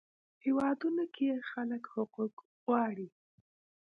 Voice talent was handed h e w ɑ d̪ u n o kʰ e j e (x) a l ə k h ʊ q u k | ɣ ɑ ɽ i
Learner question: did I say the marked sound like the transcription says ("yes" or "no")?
yes